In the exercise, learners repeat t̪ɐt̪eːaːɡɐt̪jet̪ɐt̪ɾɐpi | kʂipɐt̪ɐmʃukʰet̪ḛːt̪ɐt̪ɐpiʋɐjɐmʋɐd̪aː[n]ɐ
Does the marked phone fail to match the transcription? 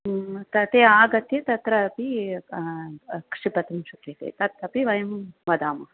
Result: yes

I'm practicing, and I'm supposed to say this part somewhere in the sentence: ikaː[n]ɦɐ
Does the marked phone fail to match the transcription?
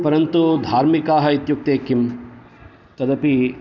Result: yes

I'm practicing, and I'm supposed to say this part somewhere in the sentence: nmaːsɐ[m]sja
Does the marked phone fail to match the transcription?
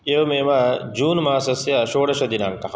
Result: yes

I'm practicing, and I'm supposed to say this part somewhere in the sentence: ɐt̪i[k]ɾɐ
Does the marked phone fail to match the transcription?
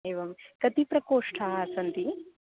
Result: yes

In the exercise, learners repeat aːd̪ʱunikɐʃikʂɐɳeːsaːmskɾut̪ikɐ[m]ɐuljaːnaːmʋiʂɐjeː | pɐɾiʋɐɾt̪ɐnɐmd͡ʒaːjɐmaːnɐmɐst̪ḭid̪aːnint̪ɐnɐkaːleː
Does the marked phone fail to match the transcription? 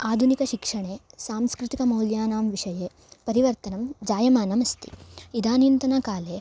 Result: no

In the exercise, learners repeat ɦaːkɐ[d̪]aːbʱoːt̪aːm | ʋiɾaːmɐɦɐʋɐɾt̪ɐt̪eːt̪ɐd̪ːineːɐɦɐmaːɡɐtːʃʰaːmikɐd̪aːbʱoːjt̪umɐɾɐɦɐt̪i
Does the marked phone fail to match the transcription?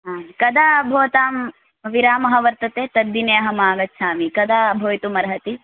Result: no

